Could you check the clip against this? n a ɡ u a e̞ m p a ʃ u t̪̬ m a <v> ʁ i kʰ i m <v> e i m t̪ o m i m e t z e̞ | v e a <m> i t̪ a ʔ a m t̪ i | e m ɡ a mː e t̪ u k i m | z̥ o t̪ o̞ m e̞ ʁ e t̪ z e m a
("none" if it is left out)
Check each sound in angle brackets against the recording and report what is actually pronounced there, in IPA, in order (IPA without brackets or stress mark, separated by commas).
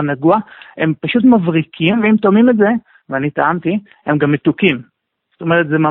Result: v, v, n